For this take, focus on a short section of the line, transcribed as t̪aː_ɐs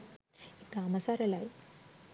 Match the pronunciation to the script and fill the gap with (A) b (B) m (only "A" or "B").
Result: B